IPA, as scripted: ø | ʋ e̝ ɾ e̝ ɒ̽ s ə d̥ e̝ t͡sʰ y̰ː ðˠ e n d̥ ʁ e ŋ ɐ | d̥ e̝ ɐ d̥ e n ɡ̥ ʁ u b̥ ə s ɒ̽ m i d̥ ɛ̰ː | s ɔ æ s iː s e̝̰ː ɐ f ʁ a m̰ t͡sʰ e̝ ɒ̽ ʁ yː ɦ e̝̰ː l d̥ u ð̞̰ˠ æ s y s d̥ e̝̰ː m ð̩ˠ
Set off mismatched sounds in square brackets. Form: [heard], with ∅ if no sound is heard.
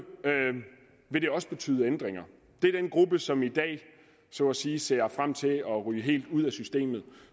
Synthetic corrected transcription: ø | ʋ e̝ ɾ e̝ ɒ̽ s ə [b̥] e̝ t͡sʰ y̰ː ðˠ e n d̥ ʁ e ŋ ɐ | d̥ e̝ ɐ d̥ e n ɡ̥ ʁ u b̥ ə s ɒ̽ m i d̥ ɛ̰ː | s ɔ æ s iː s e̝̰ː ɐ f ʁ a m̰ t͡sʰ e̝ ɒ̽ ʁ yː ɦ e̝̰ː l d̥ u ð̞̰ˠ æ s y s d̥ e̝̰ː m ð̩ˠ